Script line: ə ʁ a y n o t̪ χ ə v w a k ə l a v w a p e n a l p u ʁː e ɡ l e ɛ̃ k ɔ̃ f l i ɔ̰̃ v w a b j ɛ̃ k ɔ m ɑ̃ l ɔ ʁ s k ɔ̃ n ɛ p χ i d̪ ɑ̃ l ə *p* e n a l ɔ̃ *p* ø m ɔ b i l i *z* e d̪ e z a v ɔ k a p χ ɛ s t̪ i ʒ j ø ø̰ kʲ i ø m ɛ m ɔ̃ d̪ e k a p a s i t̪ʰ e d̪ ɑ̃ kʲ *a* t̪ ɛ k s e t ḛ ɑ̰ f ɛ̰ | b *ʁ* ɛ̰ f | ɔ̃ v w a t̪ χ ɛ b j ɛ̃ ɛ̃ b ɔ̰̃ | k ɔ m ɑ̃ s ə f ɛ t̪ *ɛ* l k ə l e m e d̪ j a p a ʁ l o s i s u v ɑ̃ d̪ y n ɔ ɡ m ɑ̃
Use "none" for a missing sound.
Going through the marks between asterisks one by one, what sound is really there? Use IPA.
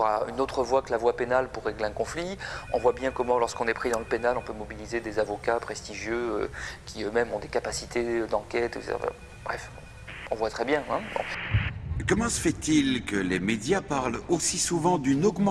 p, p, z, ɛ, ʁ, i

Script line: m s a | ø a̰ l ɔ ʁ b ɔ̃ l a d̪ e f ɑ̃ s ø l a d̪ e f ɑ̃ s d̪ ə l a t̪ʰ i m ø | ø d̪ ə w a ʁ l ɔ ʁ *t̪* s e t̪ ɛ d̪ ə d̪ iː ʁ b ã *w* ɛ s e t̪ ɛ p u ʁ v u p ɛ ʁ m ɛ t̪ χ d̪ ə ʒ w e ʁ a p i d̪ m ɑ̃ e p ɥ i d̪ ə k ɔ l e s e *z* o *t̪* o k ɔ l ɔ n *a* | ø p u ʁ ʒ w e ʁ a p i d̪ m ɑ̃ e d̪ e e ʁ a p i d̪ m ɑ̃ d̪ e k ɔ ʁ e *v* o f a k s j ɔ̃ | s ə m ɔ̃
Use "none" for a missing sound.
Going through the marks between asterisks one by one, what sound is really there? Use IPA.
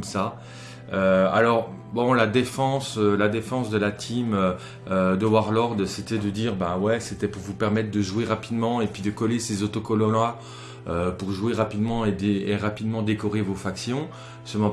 d̪, w, z, t̪, a, v

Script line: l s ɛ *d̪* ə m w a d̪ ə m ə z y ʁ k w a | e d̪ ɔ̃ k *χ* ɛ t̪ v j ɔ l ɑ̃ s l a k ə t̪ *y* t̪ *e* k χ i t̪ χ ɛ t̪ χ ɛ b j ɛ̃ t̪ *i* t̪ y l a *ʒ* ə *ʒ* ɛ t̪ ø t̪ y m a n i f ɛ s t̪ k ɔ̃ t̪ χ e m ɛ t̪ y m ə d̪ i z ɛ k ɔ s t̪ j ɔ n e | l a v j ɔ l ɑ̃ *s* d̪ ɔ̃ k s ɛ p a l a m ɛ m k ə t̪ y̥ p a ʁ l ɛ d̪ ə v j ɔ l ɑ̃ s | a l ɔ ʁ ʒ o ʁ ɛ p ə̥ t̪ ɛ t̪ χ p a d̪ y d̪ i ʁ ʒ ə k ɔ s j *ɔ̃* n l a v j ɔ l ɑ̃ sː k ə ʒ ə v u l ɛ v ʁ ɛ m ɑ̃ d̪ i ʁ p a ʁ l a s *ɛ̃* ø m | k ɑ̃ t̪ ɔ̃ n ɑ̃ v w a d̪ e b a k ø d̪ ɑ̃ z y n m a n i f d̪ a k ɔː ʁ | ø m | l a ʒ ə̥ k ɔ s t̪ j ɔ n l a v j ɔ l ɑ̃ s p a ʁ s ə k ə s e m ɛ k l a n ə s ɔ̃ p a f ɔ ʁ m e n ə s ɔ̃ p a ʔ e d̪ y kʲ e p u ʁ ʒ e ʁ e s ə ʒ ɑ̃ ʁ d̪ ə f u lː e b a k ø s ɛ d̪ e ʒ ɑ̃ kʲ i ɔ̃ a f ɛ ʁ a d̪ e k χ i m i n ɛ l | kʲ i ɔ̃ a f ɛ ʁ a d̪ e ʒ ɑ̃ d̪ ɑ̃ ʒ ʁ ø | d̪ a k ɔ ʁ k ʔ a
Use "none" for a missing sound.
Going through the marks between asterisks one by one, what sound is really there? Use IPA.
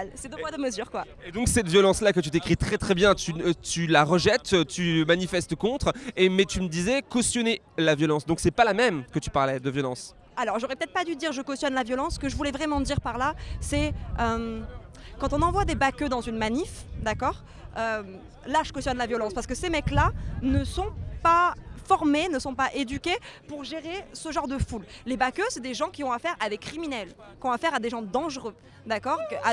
d̪, s, y, e, y, ʁ, ʒ, s, ɔ, ɛ

